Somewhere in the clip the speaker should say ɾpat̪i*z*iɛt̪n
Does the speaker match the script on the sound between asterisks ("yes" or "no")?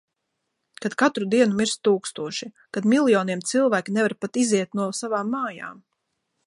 yes